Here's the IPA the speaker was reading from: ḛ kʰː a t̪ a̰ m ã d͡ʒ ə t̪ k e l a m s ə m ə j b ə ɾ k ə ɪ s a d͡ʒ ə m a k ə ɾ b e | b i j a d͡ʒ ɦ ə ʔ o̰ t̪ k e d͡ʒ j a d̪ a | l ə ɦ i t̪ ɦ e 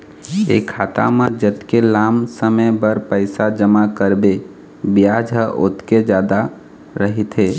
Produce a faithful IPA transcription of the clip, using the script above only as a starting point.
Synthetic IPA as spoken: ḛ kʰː a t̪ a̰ m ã d͡ʒ ə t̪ k e l a m s ə m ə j b ə ɾ p ə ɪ s a d͡ʒ ə m a k ə ɾ b e | b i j a d͡ʒ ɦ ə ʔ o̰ t̪ k e d͡ʒ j a d̪ a | ɾ ə ɦ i t̪ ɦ e